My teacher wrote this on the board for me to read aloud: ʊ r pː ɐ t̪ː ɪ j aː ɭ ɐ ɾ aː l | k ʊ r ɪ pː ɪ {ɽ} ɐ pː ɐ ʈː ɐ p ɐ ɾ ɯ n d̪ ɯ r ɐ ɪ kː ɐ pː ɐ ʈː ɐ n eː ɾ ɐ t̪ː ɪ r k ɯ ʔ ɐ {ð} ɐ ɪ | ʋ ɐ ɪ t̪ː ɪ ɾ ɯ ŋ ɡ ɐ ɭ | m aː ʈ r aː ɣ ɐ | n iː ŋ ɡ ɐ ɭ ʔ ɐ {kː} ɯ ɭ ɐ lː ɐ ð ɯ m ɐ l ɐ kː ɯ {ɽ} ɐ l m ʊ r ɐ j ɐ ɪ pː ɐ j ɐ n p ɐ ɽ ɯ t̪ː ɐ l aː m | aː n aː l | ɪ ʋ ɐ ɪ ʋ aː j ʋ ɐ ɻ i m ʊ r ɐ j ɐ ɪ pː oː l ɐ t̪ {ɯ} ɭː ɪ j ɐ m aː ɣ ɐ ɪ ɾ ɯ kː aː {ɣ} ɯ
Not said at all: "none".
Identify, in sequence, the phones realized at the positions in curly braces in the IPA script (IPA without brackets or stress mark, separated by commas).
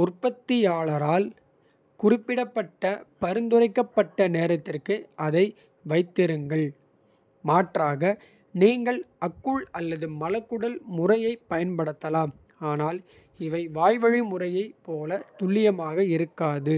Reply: ɽ, ð, kː, ɽ, ʊ, ð